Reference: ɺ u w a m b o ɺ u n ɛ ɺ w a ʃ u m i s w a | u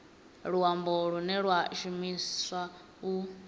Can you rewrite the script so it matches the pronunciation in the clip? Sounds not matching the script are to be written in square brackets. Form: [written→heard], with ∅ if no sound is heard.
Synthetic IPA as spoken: ɺ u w a m b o ɺ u n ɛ ɺ w a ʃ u m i s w a | u